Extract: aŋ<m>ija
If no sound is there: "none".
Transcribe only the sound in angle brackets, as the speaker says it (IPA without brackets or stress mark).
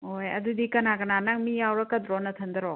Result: m